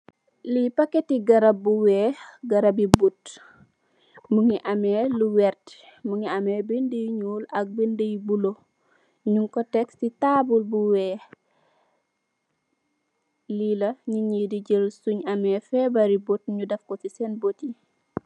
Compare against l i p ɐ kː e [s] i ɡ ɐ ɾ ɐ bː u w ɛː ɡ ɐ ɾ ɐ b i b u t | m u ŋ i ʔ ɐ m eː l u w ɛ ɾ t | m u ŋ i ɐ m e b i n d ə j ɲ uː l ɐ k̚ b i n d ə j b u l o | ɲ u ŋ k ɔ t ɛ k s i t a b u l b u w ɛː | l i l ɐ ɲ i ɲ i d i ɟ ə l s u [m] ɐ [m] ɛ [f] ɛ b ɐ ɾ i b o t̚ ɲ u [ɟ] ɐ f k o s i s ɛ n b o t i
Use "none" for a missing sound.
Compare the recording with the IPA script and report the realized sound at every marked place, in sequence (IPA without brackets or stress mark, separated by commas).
t, ɲ, m, f, d